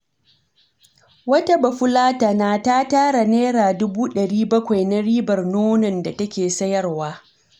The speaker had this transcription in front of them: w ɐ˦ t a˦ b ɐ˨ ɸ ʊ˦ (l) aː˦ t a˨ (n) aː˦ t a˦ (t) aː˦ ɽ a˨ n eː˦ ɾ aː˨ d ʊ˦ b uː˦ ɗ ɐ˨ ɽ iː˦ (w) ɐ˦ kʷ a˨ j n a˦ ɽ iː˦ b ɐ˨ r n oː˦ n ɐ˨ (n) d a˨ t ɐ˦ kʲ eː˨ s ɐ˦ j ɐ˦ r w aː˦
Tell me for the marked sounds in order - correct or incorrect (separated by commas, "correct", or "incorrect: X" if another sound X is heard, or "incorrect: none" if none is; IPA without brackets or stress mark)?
correct, correct, correct, incorrect: b, correct